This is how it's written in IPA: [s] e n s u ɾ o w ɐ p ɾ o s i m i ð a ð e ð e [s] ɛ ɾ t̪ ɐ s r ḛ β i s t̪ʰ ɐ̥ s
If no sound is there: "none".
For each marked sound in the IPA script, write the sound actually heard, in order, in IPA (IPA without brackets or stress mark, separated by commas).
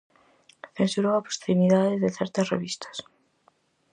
θ, θ